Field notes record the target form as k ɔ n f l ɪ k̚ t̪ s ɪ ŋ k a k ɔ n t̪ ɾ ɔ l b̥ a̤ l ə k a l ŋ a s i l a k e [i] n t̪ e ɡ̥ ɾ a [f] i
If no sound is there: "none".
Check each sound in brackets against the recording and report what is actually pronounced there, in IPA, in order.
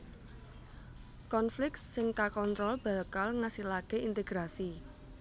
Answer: i, s

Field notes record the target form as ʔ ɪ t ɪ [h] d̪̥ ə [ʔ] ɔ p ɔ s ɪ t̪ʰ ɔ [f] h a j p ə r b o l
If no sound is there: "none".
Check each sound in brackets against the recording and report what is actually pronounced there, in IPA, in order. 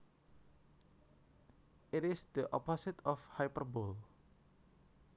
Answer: s, ʔ, f

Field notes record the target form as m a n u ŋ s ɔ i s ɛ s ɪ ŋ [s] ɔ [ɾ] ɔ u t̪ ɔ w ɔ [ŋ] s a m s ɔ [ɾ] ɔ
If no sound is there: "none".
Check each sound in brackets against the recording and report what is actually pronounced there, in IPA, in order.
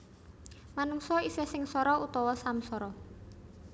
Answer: s, ɾ, none, ɾ

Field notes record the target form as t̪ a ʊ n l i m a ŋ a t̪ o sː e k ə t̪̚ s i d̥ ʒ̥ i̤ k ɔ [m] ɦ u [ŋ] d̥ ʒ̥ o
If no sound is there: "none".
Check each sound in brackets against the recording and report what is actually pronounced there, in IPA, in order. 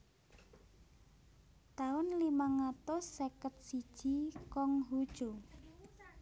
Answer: ŋ, none

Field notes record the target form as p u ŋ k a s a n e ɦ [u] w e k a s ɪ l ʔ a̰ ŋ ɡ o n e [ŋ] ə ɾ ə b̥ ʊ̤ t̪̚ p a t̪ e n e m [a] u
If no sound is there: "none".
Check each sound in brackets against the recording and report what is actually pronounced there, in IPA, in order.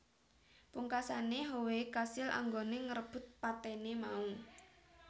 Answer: o, ŋ, a

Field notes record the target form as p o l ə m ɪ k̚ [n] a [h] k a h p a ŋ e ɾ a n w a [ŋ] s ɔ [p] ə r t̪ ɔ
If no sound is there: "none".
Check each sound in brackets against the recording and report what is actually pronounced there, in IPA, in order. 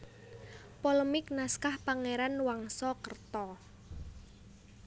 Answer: n, s, ŋ, k

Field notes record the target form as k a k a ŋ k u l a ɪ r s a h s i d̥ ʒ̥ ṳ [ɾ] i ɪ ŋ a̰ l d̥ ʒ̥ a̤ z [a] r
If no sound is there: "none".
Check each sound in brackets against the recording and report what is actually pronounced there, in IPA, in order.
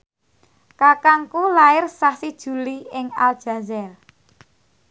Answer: l, ɛ

